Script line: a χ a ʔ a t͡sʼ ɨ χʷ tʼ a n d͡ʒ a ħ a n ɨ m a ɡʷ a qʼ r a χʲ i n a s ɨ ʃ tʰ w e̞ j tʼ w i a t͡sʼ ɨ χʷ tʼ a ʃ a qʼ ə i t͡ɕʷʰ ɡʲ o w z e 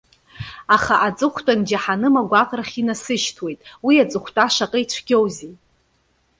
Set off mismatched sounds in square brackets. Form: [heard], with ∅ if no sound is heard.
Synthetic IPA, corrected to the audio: a χ a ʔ a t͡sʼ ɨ χʷ tʼ a n d͡ʒ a ħ a n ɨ m a ɡʷ a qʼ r a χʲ i n a s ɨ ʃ tʰ w e̞ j tʼ w i a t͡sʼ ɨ χʷ tʼ a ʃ a qʼ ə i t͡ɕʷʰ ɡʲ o w z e